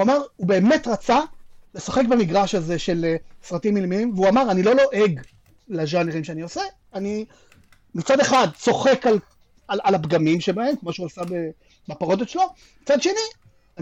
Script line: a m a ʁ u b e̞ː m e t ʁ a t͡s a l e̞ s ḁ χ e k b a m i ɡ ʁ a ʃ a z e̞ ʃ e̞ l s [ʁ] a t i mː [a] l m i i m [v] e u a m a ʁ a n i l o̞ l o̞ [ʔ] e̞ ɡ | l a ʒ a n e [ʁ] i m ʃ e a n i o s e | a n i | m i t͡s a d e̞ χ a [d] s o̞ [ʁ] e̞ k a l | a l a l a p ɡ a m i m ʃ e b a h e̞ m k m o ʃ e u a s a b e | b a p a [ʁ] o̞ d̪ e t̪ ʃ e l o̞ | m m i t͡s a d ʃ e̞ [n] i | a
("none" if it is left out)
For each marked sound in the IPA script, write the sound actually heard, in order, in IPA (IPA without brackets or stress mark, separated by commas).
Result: ʁ, i, v, ʔ, ʁ, d, χ, ʁ, n